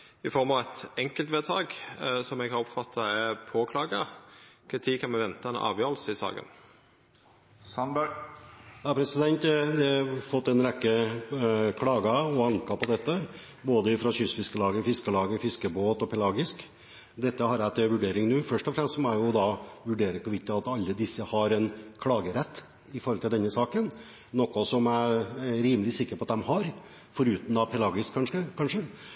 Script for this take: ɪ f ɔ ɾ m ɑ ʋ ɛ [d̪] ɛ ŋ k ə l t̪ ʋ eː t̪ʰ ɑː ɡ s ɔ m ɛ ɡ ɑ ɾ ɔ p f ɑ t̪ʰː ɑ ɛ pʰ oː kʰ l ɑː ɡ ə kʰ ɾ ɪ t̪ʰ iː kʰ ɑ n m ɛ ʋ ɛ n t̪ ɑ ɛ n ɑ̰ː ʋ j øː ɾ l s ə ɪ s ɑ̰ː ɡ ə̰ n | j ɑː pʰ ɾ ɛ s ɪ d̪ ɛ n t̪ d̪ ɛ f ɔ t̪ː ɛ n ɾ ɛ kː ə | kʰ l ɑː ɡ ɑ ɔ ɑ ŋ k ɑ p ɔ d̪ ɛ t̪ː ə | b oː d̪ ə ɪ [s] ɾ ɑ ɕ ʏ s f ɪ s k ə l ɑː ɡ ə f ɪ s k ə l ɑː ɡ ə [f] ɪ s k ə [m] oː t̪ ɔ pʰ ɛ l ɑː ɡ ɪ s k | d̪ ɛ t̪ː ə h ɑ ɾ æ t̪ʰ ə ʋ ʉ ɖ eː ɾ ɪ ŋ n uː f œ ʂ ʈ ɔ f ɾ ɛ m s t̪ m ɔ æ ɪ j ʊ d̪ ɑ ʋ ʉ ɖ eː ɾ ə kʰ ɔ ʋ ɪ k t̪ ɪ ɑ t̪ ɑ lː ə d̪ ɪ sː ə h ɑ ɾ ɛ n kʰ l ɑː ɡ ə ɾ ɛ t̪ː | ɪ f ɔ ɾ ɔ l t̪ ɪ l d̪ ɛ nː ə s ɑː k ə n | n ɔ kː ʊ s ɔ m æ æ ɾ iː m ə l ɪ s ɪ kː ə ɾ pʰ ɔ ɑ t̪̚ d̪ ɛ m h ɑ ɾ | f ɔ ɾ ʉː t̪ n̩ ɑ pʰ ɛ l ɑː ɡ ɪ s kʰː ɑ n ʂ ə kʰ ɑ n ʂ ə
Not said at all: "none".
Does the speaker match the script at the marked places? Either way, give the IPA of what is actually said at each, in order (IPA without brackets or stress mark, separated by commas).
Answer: t̪, f, f, b